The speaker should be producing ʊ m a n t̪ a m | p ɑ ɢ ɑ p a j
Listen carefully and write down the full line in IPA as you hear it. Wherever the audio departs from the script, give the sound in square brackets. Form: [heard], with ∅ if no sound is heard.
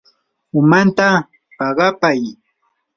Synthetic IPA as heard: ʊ m a n t̪ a [∅] | p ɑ ɢ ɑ p a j